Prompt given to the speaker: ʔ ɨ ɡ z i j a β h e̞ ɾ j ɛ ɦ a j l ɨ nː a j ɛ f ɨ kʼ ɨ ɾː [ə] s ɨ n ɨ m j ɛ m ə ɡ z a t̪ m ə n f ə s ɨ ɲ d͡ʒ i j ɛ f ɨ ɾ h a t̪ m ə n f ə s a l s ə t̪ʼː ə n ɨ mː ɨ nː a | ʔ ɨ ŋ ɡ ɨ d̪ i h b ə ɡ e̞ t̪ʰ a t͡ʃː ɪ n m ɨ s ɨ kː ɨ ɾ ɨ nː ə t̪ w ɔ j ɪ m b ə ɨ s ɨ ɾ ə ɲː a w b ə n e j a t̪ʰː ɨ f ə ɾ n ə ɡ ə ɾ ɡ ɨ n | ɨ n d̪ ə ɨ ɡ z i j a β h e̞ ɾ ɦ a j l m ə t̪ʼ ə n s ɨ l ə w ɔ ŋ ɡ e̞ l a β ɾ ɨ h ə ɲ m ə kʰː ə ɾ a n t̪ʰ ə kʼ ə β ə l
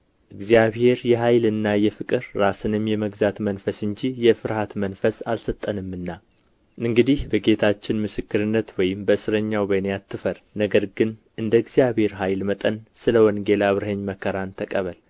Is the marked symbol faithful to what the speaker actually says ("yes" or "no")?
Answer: no